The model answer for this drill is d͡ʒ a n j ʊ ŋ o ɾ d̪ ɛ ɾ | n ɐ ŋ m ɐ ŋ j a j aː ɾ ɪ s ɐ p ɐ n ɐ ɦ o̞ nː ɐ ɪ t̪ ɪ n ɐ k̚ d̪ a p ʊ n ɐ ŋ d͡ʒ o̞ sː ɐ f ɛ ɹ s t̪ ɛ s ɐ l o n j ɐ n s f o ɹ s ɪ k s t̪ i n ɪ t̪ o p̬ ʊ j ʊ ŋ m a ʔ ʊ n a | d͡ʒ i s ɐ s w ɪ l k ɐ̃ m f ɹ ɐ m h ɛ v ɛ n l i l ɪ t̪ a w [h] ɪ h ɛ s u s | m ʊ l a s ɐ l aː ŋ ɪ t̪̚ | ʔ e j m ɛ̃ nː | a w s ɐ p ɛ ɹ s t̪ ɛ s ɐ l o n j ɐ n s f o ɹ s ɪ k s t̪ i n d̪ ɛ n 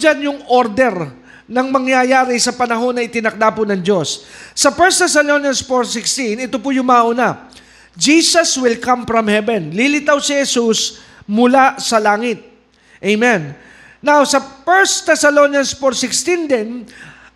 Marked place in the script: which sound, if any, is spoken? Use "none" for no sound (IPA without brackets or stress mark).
s